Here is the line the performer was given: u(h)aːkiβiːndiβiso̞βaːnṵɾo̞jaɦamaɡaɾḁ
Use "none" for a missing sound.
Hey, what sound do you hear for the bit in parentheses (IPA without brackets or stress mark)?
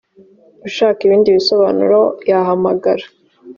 ʃ